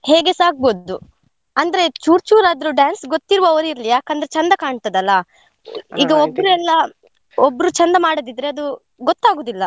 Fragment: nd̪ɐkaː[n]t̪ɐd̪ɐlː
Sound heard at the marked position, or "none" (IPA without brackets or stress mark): ɳ